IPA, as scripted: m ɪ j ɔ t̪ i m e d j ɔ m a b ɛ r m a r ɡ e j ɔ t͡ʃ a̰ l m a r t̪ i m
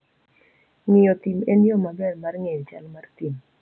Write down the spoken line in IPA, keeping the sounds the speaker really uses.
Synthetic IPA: ŋ ɪ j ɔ t̪ i m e n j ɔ m a b ɛ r m a r ŋ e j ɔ t͡ʃ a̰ l m a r t̪ i m